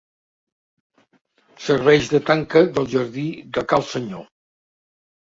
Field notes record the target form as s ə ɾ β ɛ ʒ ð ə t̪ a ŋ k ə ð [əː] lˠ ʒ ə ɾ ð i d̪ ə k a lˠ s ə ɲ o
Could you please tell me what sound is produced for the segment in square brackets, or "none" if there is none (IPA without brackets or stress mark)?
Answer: ə